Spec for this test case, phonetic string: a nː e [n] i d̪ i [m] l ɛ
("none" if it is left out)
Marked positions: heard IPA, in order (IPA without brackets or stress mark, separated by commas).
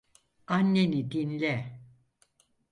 n, n